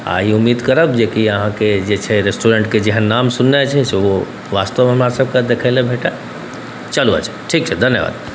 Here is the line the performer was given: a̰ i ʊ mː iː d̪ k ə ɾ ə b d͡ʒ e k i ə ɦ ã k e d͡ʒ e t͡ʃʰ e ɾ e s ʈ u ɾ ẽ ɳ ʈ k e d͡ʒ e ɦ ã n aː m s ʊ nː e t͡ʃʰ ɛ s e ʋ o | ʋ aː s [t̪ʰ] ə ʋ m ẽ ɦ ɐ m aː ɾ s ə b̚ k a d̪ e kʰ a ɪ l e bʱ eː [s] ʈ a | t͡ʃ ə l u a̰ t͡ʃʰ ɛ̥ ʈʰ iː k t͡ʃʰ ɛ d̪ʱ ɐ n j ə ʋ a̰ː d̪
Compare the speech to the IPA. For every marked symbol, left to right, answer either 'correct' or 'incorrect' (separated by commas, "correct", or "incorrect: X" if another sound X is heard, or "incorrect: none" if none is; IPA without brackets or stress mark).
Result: incorrect: t̪, incorrect: none